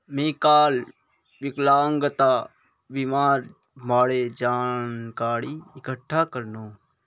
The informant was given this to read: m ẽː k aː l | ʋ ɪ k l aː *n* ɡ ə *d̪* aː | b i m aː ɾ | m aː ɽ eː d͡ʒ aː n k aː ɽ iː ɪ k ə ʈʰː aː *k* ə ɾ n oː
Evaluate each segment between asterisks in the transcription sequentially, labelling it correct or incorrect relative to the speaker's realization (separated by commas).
incorrect, incorrect, correct